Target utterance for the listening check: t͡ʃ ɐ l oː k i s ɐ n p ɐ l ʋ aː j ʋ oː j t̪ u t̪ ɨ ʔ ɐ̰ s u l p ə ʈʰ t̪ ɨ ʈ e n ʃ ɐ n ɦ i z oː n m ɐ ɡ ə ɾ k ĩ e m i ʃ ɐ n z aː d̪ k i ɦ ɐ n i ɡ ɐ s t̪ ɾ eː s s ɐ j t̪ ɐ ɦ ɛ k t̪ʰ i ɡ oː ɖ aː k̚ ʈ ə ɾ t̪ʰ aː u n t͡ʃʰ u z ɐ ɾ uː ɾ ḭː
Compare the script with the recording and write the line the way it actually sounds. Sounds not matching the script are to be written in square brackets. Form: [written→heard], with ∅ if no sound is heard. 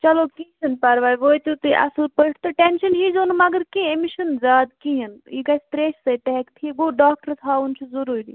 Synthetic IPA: t͡ʃ ɐ l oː k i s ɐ n p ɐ [l→ɾ] ʋ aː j ʋ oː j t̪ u t̪ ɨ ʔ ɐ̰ s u l p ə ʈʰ t̪ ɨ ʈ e n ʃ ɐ n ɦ i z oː n m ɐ ɡ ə ɾ k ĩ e m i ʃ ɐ n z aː d̪ k i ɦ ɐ n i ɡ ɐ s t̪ ɾ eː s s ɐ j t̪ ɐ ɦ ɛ k t̪ʰ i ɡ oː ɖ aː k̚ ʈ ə ɾ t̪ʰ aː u n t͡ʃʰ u z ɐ ɾ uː ɾ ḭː